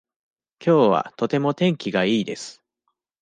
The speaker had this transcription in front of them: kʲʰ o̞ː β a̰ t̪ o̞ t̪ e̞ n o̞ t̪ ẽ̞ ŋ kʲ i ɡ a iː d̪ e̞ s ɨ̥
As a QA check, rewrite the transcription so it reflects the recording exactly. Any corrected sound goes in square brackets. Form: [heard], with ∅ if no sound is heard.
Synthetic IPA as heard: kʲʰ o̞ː β a̰ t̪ o̞ t̪ e̞ [m] o̞ t̪ ẽ̞ ŋ kʲ i ɡ a iː d̪ e̞ s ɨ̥